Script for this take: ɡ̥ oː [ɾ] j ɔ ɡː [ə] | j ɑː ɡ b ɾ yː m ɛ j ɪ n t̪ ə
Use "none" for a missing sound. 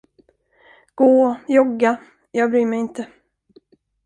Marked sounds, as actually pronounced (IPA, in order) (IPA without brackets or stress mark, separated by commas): none, a